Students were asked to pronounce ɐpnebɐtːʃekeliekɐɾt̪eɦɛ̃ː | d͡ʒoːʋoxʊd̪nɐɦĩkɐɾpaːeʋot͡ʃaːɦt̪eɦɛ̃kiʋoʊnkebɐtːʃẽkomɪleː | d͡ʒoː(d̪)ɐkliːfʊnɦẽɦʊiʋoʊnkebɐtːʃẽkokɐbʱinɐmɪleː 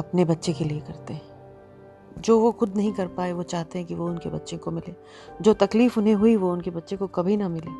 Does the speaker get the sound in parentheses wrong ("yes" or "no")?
yes